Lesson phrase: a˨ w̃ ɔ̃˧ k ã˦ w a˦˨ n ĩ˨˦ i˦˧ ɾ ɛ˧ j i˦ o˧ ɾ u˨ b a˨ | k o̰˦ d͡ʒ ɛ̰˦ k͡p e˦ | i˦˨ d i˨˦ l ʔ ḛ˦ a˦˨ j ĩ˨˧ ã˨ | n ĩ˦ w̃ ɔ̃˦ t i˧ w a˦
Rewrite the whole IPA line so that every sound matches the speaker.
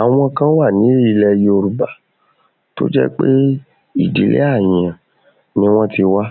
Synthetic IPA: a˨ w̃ ɔ̃˧ k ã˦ w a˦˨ n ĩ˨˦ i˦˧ l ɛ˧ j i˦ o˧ ɾ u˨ b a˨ | t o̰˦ d͡ʒ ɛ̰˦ k͡p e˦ | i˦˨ d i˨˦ l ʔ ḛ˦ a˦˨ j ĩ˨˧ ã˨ | n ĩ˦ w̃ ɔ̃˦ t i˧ w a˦

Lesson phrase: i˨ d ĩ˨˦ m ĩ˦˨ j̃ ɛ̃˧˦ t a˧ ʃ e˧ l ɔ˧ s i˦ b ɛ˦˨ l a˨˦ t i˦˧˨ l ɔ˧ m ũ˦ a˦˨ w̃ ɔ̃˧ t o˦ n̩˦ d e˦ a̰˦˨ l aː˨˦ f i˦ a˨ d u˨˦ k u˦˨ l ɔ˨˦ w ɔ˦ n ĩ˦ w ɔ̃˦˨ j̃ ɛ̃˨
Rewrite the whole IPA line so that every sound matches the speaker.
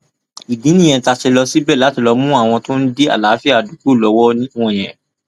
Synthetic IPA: i˨ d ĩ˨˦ n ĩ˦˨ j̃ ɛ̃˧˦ t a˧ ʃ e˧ l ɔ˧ s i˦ b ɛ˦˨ l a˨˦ t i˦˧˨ l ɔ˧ m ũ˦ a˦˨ w̃ ɔ̃˧ t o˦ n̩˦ d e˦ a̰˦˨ l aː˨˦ f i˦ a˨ d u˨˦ k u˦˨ l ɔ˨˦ w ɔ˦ n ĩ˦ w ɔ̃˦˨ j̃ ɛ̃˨

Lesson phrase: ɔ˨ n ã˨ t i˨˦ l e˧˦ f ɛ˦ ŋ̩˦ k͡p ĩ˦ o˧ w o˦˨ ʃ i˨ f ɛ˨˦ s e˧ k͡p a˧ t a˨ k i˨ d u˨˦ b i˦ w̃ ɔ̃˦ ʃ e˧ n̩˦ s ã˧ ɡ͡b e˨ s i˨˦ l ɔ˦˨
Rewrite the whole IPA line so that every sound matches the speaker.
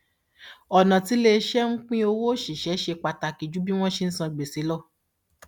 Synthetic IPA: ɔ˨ n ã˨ t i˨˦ l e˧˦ ʃ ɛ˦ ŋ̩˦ k͡p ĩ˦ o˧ w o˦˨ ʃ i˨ ʃ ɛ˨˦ ʃ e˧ k͡p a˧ t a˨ k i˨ d͡ʒ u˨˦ b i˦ w̃ ɔ̃˦ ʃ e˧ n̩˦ s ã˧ ɡ͡b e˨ s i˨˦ l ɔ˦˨

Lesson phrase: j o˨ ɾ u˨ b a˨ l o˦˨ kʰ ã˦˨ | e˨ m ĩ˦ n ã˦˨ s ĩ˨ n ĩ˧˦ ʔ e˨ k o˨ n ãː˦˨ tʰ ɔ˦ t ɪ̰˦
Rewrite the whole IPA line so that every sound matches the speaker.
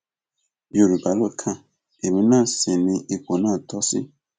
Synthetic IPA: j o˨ ɾ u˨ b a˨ l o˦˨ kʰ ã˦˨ | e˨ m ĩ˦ n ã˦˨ s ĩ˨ n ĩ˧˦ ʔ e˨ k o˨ n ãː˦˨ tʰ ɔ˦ s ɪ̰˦

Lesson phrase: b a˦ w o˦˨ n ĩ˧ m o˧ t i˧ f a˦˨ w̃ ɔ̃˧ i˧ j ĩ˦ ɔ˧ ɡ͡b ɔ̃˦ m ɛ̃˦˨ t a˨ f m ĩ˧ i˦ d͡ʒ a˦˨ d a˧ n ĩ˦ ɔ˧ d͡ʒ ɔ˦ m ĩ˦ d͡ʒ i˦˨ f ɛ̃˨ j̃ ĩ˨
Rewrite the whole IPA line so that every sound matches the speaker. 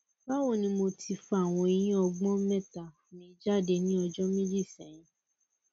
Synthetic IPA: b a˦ w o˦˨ n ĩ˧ m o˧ t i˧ f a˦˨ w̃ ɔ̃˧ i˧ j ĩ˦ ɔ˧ ɡ͡b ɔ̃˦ m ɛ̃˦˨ t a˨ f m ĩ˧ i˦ d͡ʒ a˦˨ d e˧ n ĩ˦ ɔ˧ d͡ʒ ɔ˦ m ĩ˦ d͡ʒ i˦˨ s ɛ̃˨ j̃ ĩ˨

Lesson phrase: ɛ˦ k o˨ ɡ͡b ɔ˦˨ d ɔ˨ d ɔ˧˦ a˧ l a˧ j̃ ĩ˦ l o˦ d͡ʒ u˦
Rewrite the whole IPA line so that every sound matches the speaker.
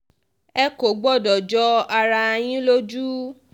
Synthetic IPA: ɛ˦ k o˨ ɡ͡b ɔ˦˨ d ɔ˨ d͡ʒ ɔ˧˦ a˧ ɾ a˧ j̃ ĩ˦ l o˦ d͡ʒ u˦

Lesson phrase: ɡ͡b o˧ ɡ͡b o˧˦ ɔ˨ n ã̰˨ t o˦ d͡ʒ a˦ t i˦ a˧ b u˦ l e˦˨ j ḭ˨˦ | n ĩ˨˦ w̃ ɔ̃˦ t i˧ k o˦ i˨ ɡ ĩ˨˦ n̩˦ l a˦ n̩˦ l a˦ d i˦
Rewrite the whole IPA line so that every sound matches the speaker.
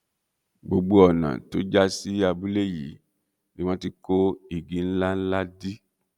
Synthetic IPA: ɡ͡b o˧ ɡ͡b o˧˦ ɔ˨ n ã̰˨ t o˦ d͡ʒ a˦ s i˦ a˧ b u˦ l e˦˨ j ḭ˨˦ | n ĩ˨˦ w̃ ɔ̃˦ t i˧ k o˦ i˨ ɡ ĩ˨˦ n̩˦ l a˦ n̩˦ l a˦ d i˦

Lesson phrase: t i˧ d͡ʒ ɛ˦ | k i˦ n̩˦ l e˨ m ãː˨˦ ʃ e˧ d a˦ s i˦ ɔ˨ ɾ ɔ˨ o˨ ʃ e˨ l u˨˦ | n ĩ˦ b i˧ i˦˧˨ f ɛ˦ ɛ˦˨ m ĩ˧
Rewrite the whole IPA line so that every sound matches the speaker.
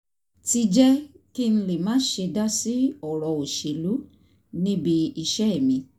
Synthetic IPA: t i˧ d͡ʒ ɛ˦ | k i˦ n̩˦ l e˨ m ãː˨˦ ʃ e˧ d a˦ s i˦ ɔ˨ ɾ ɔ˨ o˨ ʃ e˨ l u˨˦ | n ĩ˦ b i˧ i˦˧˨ ʃ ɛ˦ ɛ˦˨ m ĩ˧

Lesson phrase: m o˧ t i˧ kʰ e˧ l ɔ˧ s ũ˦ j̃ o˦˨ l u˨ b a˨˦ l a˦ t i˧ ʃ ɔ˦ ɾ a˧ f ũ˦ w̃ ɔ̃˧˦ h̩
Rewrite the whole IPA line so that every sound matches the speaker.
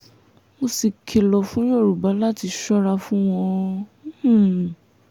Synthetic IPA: m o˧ s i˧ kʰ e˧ l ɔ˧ f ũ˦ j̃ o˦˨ ɾ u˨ b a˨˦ l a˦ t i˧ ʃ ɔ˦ ɾ a˧ f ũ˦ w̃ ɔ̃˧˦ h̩

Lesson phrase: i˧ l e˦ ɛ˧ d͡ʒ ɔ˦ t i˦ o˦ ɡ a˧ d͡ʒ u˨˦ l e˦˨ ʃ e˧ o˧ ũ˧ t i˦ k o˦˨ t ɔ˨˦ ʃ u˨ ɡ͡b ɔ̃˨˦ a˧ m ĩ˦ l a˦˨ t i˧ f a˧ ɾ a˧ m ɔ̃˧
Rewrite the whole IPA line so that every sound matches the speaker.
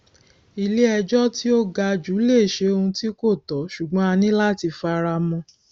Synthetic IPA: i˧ l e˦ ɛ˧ d͡ʒ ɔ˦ t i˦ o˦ ɡ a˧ d͡ʒ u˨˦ l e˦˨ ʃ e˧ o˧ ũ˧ t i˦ k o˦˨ t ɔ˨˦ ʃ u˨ ɡ͡b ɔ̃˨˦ a˧ n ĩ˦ l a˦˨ t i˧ f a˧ ɾ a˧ m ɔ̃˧

